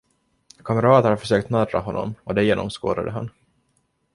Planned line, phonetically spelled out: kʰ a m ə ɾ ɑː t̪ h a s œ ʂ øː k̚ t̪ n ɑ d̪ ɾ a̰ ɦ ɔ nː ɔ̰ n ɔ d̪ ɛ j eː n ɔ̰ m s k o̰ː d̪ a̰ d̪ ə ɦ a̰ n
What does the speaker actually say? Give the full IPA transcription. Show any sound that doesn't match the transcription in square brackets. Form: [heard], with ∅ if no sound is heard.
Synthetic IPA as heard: kʰ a m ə ɾ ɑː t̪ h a [f] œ ʂ øː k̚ t̪ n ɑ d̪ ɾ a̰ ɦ ɔ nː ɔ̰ [m] ɔ d̪ ɛ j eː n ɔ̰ m s k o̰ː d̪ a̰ d̪ ə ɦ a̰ n

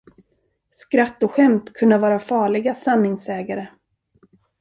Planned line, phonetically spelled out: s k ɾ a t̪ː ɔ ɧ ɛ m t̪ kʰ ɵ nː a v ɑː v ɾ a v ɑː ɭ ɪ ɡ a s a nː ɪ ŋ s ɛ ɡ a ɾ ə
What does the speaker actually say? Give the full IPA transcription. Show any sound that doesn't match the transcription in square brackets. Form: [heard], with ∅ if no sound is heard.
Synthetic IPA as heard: s k ɾ a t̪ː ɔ ɧ ɛ m t̪ kʰ ɵ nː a v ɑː [∅] ɾ a [f] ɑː ɭ ɪ ɡ a s a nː ɪ ŋ s [ɛː] ɡ a ɾ ə

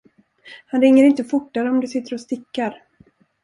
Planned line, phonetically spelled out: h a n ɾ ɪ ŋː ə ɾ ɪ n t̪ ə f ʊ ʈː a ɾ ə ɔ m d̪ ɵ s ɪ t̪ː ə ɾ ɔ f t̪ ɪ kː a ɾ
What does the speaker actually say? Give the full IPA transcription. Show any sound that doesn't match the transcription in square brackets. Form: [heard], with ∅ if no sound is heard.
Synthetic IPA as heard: h a n ɾ ɪ ŋː ə ɾ ɪ n t̪ ə f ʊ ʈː a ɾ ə ɔ m d̪ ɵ s ɪ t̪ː ə ɾ ɔ [s] t̪ ɪ kː a ɾ

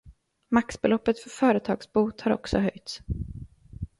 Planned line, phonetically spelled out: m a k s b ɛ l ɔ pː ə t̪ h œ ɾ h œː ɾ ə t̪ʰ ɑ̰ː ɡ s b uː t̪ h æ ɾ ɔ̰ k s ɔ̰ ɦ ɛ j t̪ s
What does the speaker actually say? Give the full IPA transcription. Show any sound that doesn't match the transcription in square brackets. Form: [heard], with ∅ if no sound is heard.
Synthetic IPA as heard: m a k s b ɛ l ɔ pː ə t̪ [f] œ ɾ [f] œː ɾ ə t̪ʰ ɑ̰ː ɡ s b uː t̪ h [a] ɾ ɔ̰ k s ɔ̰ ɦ [œ] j t̪ s

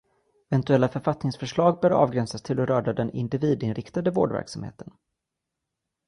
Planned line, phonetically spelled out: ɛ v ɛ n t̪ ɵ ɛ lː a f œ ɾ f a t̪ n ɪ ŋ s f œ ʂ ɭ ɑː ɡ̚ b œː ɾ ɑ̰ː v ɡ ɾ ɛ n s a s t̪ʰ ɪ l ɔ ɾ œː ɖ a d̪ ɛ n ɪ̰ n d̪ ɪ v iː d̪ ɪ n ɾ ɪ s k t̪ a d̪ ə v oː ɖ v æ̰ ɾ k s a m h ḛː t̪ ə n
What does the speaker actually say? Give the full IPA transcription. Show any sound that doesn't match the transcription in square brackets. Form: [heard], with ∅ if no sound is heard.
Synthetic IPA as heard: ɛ v ɛ n t̪ ɵ ɛ lː a f œ ɾ f a t̪ n ɪ ŋ s f œ ʂ ɭ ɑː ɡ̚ b œː ɾ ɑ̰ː v ɡ ɾ ɛ n s a s t̪ʰ ɪ l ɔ ɾ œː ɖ a d̪ ɛ n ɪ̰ n d̪ ɪ v iː d̪ ɪ n ɾ ɪ [∅] k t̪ a d̪ ə v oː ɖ v æ̰ ɾ k s a m h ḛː t̪ ə n

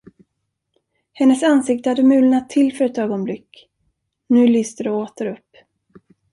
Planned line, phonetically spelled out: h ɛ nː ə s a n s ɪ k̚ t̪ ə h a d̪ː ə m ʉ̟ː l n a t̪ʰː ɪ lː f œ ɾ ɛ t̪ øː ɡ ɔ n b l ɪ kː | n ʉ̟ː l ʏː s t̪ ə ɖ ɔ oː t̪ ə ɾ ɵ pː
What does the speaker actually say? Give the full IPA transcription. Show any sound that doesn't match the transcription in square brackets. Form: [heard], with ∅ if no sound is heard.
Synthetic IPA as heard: h ɛ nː ə s a n s ɪ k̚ t̪ ə h a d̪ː ə m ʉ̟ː l n a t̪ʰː ɪ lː f œ ɾ ɛ t̪ øː ɡ ɔ n b l ɪ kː | n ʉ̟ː l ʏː s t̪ ə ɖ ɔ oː t̪ ə ɾ ɵ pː

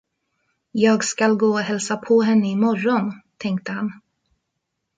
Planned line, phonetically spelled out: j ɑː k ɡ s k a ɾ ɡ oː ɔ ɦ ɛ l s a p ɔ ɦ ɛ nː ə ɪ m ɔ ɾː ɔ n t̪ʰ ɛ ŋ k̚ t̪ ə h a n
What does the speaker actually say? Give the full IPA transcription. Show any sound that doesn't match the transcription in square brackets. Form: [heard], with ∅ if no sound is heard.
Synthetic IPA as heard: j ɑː [∅] ɡ s k a [l] ɡ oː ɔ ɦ ɛ l s a [pʰ] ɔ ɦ ɛ nː ə ɪ m ɔ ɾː ɔ n t̪ʰ ɛ ŋ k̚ t̪ ə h a n

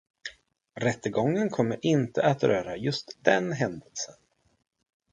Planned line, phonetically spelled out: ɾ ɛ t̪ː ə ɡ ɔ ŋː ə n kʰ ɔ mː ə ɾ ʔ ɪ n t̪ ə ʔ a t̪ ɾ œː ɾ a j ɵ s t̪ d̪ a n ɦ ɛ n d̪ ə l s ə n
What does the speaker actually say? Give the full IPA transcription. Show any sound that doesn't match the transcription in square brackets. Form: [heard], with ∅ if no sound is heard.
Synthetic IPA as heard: ɾ ɛ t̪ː ə ɡ ɔ ŋː ə n kʰ ɔ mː ə ɾ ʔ ɪ n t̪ ə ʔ a t̪ ɾ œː ɾ a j ɵ s t̪ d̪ [ɛ] n ɦ ɛ n d̪ ə l s ə n

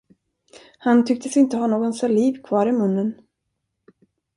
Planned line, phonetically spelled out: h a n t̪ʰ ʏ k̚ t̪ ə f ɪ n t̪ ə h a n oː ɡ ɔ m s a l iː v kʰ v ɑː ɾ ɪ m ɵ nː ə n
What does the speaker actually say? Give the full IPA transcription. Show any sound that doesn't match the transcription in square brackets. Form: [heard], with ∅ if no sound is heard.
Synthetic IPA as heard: h a n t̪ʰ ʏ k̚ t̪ ə [s] ɪ n t̪ ə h a n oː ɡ ɔ [n] s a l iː v kʰ v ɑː ɾ ɪ m ɵ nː ə n

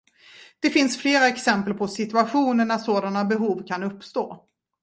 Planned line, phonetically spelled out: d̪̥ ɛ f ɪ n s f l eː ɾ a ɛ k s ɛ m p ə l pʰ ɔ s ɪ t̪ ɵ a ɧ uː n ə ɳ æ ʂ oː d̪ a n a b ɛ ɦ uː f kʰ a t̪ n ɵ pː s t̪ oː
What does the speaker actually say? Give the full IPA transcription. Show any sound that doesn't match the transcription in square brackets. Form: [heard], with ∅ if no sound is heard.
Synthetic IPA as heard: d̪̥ ɛ f ɪ n s f l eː ɾ a ɛ k s ɛ m p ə l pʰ ɔ s ɪ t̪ ɵ a ɧ uː n ə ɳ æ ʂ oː d̪ a n a b ɛ ɦ uː [v] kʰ a [∅] n ɵ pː s t̪ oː

